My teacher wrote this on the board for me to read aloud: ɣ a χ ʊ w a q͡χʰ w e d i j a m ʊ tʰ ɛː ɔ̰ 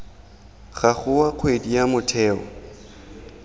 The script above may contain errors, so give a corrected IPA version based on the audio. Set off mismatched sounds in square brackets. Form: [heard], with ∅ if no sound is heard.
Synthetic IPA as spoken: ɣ a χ ʊ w a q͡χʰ w e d i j a m ʊ tʰ ɛː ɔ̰